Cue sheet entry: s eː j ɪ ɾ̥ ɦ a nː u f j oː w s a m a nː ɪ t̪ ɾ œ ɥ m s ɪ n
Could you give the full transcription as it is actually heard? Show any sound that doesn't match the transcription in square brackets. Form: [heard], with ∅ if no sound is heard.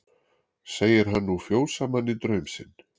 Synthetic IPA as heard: s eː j ɪ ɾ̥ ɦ a nː u f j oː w s a m a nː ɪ t̪ ɾ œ ɥ m s ɪ n